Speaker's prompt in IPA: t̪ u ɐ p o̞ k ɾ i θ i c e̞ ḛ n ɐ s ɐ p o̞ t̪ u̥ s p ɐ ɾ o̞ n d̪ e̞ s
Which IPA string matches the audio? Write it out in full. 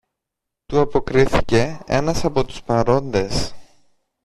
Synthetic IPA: t̪ u ɐ p o̞ k ɾ i θ i c e̞ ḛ n ɐ s ɐ p o̞ t̪ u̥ s p ɐ ɾ o̞ n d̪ e̞ s

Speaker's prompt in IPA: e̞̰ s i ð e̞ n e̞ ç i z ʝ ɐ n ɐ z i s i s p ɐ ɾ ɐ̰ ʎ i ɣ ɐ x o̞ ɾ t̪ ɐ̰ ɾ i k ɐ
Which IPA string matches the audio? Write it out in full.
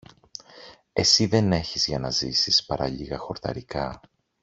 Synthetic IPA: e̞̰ s i ð e̞ n e̞ ç i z ʝ ɐ n ɐ z i s i s p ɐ ɾ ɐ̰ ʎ i ɣ ɐ x o̞ ɾ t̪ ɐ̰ ɾ i k ɐ

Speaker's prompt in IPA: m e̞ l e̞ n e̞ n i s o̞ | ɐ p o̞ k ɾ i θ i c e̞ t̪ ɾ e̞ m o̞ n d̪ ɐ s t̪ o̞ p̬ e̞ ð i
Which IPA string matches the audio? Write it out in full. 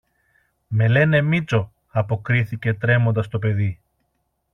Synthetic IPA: m e̞ l e̞ n e̞ m i t͡s o̞ | ɐ p o̞ k ɾ i θ i c e̞ t̪ ɾ e̞ m o̞ n d̪ ɐ s t̪ o̞ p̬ e̞ ð i

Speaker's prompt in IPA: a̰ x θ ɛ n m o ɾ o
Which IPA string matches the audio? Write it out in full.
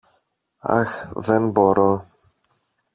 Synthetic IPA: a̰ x ð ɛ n b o ɾ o

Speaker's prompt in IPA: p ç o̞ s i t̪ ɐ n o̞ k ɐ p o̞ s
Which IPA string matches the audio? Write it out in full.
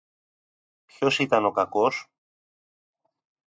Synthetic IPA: p ç o̞ s i t̪ ɐ n o̞ k ɐ k o̞ s

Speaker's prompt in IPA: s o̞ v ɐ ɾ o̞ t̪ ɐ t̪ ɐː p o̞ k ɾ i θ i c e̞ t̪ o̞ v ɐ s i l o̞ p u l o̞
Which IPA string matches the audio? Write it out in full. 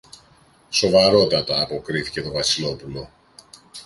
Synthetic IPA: s o̞ v ɐ ɾ o̞ t̪ ɐ t̪ ɐː p o̞ k ɾ i θ i c e̞ t̪ o̞ v ɐ s i l o̞ p u l o̞

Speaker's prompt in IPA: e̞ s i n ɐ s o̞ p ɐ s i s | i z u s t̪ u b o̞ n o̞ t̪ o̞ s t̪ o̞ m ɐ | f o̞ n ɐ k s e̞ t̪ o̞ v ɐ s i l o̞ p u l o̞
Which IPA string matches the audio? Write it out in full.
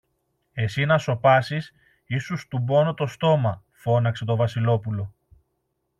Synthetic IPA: e̞ s i n ɐ s o̞ p ɐ s i s | i s u s t̪ u b o̞ n o̞ t̪ o̞ s t̪ o̞ m ɐ | f o̞ n ɐ k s e̞ t̪ o̞ v ɐ s i l o̞ p u l o̞

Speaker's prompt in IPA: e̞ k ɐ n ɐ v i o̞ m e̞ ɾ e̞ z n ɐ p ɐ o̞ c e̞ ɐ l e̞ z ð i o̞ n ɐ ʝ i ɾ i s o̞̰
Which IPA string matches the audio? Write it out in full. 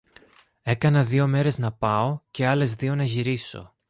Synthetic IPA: e̞ k ɐ n ɐ ð i o̞ m e̞ ɾ e̞ z n ɐ p ɐ o̞ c e̞ ɐ l e̞ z ð i o̞ n ɐ ʝ i ɾ i s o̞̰

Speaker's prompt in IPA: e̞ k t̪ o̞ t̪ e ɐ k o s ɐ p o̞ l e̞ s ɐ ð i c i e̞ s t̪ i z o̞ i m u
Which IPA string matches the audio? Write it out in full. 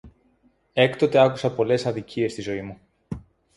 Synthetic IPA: e̞ k t̪ o̞ t̪ e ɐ k u s ɐ p o̞ l e̞ s ɐ ð i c i e̞ s t̪ i z o̞ i m u

